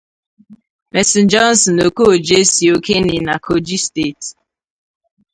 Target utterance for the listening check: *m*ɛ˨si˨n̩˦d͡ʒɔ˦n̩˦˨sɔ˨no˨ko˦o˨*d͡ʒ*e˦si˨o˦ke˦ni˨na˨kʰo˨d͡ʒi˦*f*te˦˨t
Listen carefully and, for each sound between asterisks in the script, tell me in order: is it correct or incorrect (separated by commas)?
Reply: correct, correct, incorrect